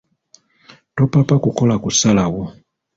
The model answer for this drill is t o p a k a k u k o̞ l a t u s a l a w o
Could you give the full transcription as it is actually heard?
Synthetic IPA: t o p a p a k u k o̞ l a k u s a l a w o